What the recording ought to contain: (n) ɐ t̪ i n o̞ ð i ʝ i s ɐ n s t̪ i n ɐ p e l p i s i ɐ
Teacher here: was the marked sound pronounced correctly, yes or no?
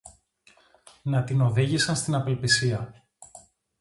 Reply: yes